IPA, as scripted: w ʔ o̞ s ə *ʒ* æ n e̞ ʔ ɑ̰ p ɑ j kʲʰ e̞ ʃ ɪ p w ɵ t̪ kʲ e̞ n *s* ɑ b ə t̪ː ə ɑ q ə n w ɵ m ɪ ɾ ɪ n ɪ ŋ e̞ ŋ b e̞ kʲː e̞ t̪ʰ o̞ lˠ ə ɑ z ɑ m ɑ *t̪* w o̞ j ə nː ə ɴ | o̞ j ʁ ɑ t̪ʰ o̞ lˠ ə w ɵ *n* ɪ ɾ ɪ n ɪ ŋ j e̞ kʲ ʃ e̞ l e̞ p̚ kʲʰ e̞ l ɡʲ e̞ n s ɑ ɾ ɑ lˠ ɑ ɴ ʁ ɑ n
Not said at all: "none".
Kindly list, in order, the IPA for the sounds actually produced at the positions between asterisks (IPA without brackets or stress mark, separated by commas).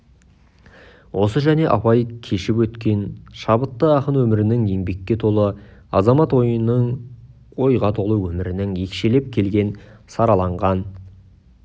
ʒ, ʃ, t̪, m